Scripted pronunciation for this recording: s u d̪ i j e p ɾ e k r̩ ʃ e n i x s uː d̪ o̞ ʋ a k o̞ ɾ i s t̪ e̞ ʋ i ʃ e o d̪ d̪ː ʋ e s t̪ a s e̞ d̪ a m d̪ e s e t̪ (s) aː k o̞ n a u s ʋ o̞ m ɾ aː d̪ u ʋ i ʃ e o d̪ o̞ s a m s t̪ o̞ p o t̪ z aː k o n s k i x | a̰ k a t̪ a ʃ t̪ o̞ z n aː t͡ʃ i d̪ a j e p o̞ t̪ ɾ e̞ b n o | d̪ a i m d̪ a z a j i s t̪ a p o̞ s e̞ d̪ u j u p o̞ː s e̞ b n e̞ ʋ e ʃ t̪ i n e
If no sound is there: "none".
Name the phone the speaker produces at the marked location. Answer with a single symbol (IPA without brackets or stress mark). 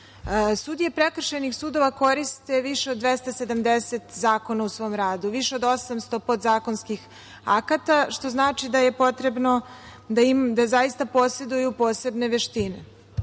z